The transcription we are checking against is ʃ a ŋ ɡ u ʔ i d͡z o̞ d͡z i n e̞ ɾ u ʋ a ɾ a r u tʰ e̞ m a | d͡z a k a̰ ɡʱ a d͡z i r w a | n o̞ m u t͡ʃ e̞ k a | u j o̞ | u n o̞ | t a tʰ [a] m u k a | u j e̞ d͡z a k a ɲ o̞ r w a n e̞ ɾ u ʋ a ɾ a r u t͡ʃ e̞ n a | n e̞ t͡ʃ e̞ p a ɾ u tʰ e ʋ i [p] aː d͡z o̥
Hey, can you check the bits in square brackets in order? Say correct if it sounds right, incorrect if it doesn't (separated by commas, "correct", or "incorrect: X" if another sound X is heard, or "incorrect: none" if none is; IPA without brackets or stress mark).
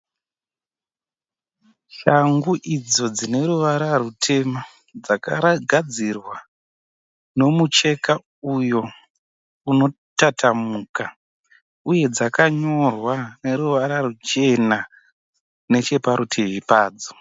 correct, correct